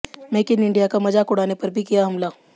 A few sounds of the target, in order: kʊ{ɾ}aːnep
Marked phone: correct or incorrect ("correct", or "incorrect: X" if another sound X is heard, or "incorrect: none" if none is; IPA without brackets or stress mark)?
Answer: incorrect: ɽ